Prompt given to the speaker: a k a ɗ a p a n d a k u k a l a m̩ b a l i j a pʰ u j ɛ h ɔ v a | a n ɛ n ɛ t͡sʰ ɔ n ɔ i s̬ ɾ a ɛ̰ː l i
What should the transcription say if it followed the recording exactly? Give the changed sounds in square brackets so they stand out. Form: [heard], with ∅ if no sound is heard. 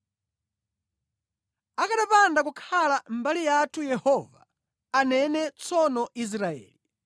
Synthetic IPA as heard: a k a ɗ a p a n d a k u [kʰ] a l a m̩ b a l i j a [tʰ] u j ɛ h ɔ v a | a n ɛ n ɛ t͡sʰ ɔ n ɔ i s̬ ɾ a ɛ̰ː l i

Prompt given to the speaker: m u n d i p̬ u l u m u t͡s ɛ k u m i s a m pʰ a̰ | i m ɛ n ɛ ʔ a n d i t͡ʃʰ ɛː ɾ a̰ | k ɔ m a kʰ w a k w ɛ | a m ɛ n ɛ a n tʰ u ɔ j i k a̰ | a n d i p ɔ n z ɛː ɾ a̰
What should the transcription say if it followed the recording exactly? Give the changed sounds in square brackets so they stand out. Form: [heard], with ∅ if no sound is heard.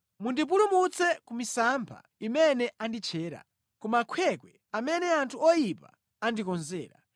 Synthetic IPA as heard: m u n d i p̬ u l u m u t͡s ɛ k u m i s a m pʰ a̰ | i m ɛ n ɛ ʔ a n d i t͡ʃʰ ɛː ɾ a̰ | k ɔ m a kʰ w [ɛ] k w ɛ | a m ɛ n ɛ a n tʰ u ɔ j i [p] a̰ | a n d i [k] ɔ n z ɛː ɾ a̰

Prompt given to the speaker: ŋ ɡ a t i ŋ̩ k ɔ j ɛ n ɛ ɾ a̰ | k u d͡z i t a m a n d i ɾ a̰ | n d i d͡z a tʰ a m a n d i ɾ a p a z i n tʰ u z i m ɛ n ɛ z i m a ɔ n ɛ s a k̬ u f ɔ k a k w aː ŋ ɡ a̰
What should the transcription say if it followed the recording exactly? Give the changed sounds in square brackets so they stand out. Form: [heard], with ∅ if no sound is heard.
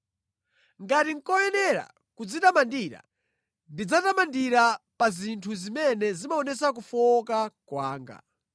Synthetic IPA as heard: ŋ ɡ a t i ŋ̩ k ɔ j ɛ n ɛ ɾ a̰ | k u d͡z i t a m a n d i ɾ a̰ | n d i d͡z a [t] a m a n d i ɾ a p a z i n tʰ u z i m ɛ n ɛ z i m a ɔ n ɛ s a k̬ u f ɔ k a k w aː ŋ ɡ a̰

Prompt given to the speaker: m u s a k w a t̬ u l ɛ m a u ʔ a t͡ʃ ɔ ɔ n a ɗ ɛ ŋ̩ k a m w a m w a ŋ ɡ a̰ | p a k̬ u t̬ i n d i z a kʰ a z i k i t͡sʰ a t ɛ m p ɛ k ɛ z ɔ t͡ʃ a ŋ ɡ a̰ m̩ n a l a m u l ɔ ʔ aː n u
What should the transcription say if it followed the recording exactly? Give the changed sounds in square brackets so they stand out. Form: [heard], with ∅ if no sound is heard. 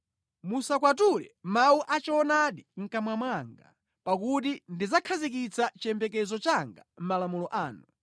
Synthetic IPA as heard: m u s a k w a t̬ u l ɛ m a u ʔ a t͡ʃ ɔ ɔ n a ɗ [i] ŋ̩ k a m w a m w a ŋ ɡ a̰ | p a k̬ u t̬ i n d i z a kʰ a z i k i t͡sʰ a [t͡ʃ] ɛ m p ɛ k ɛ z ɔ t͡ʃ a ŋ ɡ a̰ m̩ [m] a l a m u l ɔ ʔ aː n u

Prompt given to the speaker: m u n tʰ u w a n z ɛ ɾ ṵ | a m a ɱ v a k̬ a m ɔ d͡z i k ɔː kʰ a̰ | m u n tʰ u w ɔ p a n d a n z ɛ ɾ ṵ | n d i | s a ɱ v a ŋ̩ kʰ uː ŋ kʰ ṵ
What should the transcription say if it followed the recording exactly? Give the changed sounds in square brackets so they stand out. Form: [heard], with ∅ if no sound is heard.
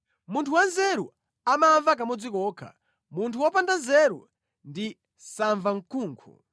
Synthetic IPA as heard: m u n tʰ u w a n z ɛ ɾ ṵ | a m a ɱ v a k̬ a m ɔ d͡z i k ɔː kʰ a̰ | m u n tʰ u w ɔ p a n d a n z ɛ ɾ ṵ | n d i | s a ɱ v a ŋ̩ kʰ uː ŋ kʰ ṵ

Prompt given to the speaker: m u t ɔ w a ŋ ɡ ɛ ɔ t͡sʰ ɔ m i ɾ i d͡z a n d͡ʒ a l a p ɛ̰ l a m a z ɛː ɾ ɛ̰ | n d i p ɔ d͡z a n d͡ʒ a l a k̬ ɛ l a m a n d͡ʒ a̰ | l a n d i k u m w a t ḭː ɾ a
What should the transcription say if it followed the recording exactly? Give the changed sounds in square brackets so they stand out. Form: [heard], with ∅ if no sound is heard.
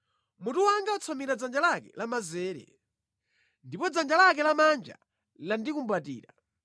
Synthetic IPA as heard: m u t [u] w a ŋ ɡ [a] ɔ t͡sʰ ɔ m i ɾ [a] d͡z a n d͡ʒ a l a [k] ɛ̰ l a m a z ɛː ɾ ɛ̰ | n d i p ɔ d͡z a n d͡ʒ a l a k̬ ɛ l a m a n d͡ʒ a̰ | l a n d i k u m [b] a t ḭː ɾ a

